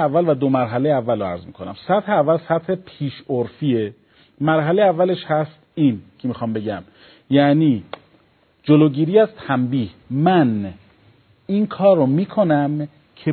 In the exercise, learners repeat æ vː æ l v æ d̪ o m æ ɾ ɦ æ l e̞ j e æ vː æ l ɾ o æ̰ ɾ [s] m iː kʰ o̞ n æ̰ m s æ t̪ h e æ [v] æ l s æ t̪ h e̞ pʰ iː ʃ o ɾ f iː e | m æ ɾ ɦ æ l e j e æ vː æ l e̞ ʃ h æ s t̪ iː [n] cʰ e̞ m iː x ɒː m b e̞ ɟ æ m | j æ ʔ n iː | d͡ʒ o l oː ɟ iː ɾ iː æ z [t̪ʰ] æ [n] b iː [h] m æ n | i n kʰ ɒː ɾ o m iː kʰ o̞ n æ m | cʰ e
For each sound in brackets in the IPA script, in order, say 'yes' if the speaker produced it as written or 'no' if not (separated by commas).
no, no, yes, yes, no, yes